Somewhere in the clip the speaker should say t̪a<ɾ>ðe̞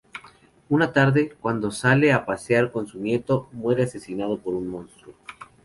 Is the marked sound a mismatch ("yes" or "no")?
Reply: no